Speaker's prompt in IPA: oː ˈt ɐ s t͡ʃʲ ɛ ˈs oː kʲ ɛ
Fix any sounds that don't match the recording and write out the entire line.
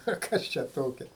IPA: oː ˈk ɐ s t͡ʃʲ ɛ ˈt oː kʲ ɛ